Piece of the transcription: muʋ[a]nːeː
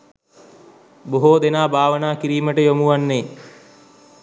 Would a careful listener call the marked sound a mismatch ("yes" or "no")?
no